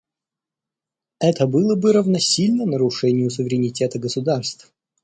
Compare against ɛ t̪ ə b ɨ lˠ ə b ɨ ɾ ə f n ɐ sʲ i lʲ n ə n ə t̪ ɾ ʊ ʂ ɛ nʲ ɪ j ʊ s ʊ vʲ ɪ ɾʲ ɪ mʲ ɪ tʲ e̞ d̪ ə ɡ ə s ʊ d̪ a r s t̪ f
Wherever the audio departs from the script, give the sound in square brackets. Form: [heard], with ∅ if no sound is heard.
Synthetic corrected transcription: ɛ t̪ ə b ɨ lˠ ə b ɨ ɾ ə [v] n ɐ sʲ i lʲ n ə n ə [∅] ɾ ʊ ʂ ɛ nʲ ɪ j ʊ s ʊ vʲ ɪ ɾʲ ɪ [nʲ] ɪ tʲ e̞ [t̪] ə ɡ ə s ʊ d̪ a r s t̪ f